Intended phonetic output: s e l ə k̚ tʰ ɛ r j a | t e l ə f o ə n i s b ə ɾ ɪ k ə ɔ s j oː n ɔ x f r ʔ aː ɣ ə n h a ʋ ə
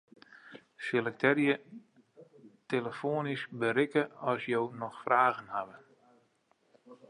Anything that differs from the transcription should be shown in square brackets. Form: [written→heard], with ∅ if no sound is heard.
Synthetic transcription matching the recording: s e l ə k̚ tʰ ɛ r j [a→ə] | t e l ə f o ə n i s b ə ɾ ɪ k ə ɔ s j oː n ɔ x f r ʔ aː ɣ ə n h a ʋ ə